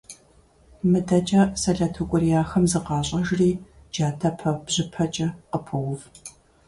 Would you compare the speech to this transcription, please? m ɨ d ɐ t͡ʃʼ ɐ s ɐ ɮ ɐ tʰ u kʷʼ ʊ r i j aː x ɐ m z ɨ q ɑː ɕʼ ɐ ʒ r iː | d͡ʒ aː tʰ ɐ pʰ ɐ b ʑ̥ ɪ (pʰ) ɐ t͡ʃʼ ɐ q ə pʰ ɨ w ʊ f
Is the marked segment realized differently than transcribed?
no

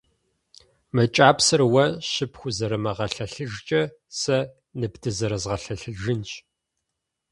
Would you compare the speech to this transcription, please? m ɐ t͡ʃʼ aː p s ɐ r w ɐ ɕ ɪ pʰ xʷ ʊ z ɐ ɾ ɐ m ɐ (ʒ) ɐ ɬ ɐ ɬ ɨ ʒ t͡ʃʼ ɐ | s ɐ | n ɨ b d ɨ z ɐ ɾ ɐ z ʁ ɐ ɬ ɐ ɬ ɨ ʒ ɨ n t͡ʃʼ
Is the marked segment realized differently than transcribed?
yes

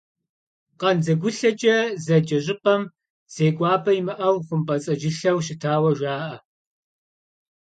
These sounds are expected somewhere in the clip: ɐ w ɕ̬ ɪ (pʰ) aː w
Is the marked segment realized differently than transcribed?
yes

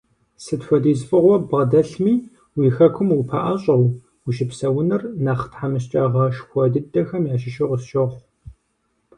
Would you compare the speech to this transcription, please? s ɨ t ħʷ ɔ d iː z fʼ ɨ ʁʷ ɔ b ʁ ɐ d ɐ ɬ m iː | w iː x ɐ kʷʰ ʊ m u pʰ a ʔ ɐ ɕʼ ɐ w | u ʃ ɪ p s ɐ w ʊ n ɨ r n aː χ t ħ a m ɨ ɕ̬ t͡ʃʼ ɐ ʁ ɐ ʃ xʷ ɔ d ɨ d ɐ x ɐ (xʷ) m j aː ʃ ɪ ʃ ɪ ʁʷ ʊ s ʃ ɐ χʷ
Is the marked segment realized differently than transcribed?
yes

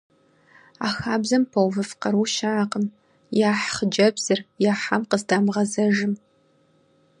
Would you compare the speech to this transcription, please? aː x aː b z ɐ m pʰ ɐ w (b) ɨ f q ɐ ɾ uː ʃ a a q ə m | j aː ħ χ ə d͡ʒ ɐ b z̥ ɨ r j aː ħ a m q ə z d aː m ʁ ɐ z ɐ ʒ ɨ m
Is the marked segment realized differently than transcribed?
yes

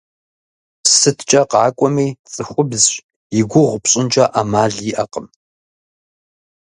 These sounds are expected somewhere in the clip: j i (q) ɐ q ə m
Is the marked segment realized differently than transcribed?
yes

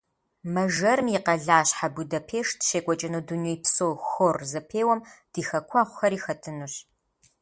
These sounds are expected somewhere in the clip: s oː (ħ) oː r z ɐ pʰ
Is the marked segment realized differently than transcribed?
yes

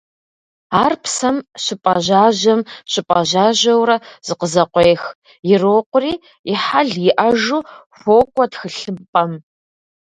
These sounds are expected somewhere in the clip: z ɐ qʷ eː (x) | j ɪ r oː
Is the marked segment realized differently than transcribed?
no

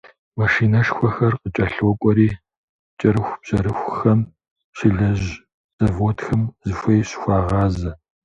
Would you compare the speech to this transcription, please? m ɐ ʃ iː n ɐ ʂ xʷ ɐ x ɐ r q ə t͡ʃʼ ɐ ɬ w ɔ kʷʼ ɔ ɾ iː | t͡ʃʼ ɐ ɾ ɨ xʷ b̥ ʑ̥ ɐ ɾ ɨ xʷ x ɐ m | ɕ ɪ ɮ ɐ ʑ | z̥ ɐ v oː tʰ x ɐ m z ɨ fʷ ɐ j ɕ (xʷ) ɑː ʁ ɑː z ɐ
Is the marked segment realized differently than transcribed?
no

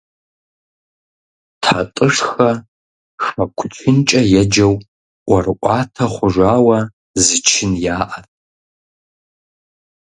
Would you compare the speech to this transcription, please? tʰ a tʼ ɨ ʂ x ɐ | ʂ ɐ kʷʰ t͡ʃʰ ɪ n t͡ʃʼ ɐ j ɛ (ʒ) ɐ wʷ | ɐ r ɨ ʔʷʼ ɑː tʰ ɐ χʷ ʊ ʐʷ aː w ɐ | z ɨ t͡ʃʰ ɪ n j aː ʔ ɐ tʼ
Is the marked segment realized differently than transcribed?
yes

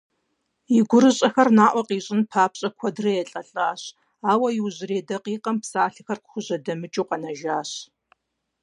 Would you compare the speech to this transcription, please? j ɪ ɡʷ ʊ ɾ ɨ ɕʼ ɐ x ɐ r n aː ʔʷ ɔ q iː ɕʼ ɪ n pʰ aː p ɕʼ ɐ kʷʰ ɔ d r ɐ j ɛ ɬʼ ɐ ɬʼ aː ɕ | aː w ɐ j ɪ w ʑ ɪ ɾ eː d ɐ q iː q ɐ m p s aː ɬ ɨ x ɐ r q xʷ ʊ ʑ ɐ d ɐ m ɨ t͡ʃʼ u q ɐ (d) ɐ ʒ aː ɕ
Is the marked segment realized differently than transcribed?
yes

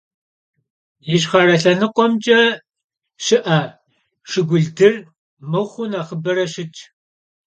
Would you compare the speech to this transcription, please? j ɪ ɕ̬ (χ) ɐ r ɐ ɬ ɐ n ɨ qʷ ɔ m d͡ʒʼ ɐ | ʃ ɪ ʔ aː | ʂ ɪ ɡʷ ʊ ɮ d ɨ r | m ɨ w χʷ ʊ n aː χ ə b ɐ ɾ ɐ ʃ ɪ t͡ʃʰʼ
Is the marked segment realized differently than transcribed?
no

